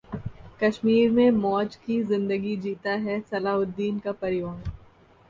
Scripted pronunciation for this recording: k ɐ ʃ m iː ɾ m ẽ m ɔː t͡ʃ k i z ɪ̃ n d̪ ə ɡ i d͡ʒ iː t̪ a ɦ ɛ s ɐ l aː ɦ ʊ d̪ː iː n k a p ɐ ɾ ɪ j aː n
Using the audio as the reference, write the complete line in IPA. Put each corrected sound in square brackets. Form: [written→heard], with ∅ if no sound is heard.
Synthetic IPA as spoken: k ɐ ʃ m iː ɾ m ẽ m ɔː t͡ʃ k i z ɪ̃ n d̪ ə ɡ i d͡ʒ iː t̪ a ɦ ɛ s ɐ l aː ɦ ʊ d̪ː iː n k a p ɐ ɾ ɪ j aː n

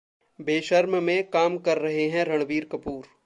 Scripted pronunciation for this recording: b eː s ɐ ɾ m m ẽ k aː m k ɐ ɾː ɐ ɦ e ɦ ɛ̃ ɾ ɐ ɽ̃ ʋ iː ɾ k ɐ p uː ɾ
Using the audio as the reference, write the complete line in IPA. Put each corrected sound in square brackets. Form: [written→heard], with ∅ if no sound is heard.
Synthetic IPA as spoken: b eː [s→ʃ] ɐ ɾ m m ẽ k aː m k ɐ ɾː ɐ ɦ e ɦ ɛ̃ ɾ ɐ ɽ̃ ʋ iː ɾ k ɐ p uː ɾ

